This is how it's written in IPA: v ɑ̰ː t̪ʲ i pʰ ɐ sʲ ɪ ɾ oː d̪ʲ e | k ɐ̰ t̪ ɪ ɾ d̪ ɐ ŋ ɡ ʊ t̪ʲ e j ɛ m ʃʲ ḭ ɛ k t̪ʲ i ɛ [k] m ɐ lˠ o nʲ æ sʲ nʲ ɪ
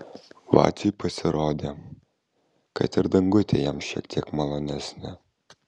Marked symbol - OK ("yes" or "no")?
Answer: yes